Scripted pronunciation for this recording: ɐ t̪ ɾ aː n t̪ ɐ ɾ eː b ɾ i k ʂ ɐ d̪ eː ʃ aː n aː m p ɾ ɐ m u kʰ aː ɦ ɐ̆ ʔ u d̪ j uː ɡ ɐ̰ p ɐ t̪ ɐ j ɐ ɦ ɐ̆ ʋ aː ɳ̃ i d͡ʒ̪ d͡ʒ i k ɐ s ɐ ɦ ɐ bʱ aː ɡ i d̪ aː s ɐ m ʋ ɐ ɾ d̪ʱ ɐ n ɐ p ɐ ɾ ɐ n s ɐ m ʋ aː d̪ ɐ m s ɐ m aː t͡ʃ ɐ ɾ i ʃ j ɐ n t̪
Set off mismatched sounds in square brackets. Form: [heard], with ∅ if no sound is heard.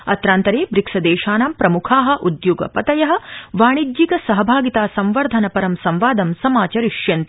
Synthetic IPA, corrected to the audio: ɐ t̪ ɾ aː n t̪ ɐ ɾ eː b ɾ i k [s] ɐ d̪ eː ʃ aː n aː m p ɾ ɐ m u kʰ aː ɦ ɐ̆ ʔ u d̪ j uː ɡ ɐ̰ p ɐ t̪ ɐ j ɐ ɦ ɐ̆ ʋ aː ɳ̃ i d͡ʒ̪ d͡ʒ i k ɐ s ɐ ɦ ɐ bʱ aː ɡ i [t̪] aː s ɐ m ʋ ɐ ɾ d̪ʱ ɐ n ɐ p ɐ ɾ ɐ [m] s ɐ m ʋ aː d̪ ɐ m s ɐ m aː t͡ʃ ɐ ɾ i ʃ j ɐ n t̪